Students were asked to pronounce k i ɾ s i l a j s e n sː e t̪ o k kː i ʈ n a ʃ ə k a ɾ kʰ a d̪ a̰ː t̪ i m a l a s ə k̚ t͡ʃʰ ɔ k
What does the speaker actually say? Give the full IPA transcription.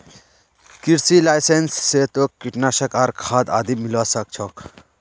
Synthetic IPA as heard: k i ɾ s i l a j s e n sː e t̪ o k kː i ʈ n a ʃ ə k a ɾ kʰ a d̪ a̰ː d̪ i m i l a s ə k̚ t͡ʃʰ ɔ k